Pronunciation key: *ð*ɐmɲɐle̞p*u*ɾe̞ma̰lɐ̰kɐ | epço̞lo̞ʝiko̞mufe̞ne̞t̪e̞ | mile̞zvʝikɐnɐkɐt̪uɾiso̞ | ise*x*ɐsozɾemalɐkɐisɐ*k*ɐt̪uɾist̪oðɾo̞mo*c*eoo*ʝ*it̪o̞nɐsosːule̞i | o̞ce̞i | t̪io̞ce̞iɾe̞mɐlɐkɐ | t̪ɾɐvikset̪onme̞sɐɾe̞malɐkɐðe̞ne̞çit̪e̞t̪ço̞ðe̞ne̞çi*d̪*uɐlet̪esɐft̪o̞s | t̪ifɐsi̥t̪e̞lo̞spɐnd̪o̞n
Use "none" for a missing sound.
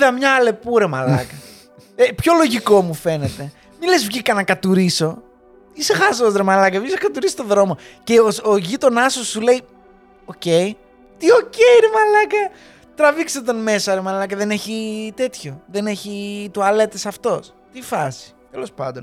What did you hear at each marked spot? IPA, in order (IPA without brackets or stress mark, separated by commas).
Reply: ð, u, x, k, c, ʝ, t̪